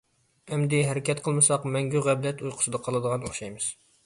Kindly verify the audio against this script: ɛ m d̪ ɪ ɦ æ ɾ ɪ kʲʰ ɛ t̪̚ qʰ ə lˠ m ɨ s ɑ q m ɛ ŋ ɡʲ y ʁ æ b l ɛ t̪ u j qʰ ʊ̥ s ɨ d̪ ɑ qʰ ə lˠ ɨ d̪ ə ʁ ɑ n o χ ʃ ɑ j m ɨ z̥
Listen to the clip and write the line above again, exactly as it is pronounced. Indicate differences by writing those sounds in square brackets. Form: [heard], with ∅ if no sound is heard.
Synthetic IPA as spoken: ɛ m d̪ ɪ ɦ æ ɾ ɪ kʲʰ ɛ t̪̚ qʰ ə lˠ m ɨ s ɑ q m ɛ ŋ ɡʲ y ʁ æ b l ɛ t̪ u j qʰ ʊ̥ s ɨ d̪ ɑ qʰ [ɑ] lˠ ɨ d̪ ə ʁ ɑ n o χ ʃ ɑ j m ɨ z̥